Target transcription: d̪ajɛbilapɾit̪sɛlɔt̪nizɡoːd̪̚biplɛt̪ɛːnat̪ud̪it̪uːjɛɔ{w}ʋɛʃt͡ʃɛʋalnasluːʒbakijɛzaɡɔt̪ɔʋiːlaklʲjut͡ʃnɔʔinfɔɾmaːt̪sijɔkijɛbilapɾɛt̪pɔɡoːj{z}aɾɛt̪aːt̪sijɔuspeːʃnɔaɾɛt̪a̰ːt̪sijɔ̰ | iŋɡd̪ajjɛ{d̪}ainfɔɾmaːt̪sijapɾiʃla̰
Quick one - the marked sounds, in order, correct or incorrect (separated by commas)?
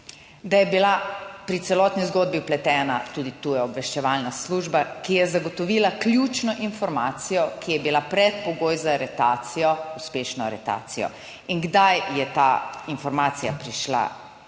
incorrect, correct, incorrect